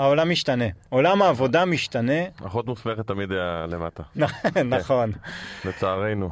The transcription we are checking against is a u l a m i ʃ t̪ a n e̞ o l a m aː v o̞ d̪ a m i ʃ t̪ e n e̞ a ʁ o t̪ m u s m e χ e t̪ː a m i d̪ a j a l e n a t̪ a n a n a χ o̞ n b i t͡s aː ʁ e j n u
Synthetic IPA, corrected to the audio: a o l a m i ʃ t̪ a n e̞ o l a m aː v o̞ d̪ a m i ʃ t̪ a n e̞ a χ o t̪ m u s m e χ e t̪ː a m i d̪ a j a l e m a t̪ a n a n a χ o̞ n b e t͡s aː ʁ e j n u